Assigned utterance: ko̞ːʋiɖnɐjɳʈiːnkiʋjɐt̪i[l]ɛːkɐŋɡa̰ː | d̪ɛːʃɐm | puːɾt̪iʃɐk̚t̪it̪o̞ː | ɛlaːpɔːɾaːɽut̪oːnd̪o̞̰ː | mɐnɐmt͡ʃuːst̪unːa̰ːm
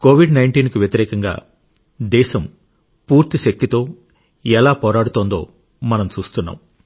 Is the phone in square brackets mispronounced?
yes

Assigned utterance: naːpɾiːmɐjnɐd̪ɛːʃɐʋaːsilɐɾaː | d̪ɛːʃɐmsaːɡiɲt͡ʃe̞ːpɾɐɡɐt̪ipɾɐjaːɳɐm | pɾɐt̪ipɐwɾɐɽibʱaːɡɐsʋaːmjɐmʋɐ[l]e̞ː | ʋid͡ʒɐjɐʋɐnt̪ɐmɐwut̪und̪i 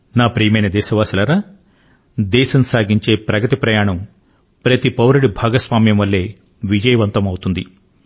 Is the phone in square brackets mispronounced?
yes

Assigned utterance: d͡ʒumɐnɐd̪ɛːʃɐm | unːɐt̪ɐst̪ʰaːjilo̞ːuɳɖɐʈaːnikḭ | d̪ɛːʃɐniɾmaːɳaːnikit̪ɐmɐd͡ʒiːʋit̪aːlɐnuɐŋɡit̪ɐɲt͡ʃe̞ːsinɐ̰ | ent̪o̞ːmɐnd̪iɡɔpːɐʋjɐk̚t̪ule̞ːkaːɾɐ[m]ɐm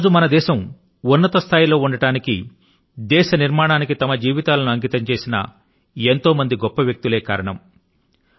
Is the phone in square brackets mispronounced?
yes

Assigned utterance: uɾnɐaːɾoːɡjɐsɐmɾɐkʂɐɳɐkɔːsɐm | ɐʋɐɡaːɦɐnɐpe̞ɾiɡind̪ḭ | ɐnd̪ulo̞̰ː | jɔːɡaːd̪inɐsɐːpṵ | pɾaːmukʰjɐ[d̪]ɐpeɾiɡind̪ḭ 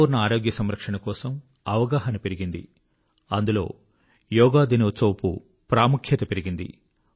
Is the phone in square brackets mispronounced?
yes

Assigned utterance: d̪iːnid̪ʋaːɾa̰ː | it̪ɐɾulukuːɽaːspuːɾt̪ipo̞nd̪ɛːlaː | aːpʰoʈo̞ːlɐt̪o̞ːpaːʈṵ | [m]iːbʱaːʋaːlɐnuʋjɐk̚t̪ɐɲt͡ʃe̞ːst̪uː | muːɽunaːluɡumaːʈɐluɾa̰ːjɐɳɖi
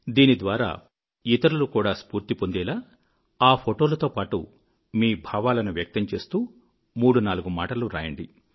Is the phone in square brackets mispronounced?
no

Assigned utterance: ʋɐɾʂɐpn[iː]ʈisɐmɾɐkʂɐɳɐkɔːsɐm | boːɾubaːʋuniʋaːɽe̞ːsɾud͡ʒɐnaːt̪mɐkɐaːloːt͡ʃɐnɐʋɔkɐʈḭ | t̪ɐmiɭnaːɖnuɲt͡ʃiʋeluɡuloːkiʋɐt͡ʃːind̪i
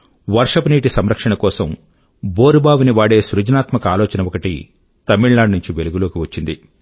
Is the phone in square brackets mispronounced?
no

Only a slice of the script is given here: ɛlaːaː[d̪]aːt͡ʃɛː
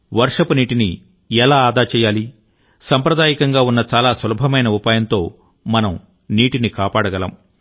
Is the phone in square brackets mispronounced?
no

